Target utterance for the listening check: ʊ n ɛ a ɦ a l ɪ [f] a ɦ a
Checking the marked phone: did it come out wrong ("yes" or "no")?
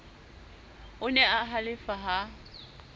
no